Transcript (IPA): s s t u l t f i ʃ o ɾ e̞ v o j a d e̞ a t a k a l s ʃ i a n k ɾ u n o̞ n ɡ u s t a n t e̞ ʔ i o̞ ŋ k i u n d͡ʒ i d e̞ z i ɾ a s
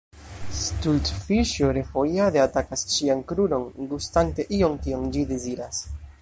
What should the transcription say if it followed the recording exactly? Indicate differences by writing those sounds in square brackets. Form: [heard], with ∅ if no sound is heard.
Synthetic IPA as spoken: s s t u l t f i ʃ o ɾ e̞ [f] o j a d e̞ a t a k a [∅] s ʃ i a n k ɾ u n o̞ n ɡ u s t a n t e̞ ʔ i o̞ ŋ k i [o] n d͡ʒ i d e̞ z i ɾ a s